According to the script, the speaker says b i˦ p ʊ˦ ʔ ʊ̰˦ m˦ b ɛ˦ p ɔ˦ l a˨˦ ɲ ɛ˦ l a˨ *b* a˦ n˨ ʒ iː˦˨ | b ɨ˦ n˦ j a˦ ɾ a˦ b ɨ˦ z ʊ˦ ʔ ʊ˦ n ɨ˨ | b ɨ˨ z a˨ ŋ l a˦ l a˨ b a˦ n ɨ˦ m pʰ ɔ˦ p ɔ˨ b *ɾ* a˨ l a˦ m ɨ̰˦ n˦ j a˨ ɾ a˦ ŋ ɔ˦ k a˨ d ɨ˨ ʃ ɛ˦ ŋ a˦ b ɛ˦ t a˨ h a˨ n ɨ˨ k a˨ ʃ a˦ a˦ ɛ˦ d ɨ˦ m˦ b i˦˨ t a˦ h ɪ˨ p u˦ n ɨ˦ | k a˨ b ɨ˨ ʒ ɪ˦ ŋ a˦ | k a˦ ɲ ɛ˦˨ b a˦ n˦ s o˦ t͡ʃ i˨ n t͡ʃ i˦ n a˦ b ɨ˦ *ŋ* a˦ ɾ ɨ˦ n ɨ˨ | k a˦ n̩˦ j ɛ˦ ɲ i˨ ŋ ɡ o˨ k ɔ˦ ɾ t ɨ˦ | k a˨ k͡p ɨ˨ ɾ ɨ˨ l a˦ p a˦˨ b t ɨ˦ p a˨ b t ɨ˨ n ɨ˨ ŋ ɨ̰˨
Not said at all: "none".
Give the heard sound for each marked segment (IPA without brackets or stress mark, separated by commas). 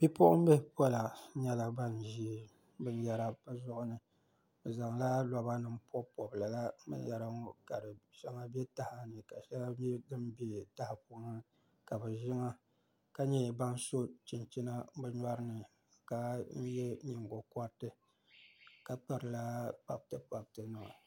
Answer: b, l, ɲ